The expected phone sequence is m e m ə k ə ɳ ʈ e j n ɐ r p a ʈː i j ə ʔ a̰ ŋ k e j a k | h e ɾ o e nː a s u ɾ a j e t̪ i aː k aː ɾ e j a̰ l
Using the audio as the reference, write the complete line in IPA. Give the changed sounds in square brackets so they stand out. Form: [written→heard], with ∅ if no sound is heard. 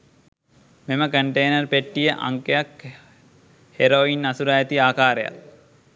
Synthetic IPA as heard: m e m ə k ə ɳ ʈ e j n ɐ r p [a→e] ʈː i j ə ʔ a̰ ŋ k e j a k | h e ɾ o [e→i] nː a s u ɾ a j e t̪ i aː k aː ɾ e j a̰ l